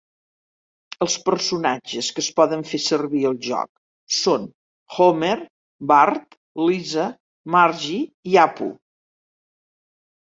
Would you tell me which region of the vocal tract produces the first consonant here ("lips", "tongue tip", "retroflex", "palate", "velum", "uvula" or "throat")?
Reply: tongue tip